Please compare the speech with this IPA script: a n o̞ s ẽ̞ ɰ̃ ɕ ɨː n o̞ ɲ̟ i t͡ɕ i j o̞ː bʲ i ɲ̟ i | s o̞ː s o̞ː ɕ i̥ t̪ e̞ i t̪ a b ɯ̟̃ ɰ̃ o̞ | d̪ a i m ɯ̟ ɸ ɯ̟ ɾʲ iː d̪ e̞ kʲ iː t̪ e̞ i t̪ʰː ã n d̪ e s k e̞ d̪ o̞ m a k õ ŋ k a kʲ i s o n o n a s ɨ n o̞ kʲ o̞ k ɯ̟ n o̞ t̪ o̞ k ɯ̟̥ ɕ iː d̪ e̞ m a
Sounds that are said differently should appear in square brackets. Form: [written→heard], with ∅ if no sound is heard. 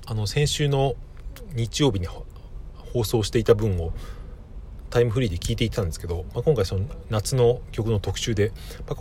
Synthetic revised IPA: a n o̞ s ẽ̞ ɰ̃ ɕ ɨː n o̞ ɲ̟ i t͡ɕ i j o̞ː bʲ i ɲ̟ i | [s→h] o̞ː s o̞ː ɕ i̥ t̪ e̞ i t̪ a b ɯ̟̃ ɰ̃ o̞ | [d̪→t̪] a i m ɯ̟ ɸ ɯ̟ ɾʲ iː d̪ e̞ kʲ iː t̪ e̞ i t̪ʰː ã n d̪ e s k e̞ d̪ o̞ m a k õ ŋ k a [kʲ→∅] i s o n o n a [s→t͡s] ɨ n o̞ kʲ o̞ k ɯ̟ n o̞ t̪ o̞ k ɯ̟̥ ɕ [iː→ɨː] d̪ e̞ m a